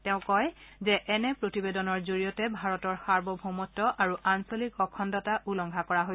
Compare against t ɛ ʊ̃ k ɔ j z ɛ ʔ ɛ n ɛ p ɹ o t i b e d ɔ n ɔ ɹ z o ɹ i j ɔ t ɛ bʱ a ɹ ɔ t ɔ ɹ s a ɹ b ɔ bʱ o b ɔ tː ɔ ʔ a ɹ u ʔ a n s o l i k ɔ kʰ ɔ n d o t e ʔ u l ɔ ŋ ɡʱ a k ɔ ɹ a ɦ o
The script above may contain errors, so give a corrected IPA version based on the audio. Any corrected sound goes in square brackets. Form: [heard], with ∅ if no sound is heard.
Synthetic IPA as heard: t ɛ ʊ̃ k ɔ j z ɛ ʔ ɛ n ɛ p ɹ o t i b e d ɔ n ɔ ɹ z o ɹ i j ɔ t ɛ bʱ a ɹ ɔ t ɔ ɹ [x] a ɹ b ɔ bʱ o [m] ɔ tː ɔ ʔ a ɹ u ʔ a n s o l i k ɔ kʰ ɔ n d [ɔ] t [a] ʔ u l ɔ ŋ ɡʱ a k ɔ ɹ a ɦ o